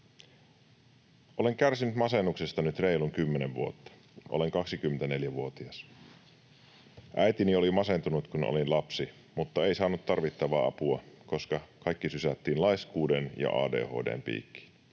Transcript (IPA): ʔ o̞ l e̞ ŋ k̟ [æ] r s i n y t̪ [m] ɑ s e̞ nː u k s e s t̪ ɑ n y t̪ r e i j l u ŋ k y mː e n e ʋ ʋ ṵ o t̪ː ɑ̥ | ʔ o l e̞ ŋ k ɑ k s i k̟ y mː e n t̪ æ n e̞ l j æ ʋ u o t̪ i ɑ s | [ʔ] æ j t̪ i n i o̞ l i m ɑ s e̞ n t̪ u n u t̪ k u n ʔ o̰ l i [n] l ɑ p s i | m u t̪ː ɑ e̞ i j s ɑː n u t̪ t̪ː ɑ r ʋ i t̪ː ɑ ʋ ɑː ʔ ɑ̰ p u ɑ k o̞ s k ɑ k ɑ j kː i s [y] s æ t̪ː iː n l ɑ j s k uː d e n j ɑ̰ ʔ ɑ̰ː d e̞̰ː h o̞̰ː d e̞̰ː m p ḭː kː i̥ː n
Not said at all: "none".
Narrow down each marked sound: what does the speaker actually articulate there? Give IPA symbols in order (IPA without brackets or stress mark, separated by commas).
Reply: æ, m, ʔ, n, y